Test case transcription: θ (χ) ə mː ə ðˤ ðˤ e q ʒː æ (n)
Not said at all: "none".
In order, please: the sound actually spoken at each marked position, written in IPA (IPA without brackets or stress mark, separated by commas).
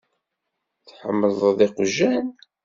ħ, n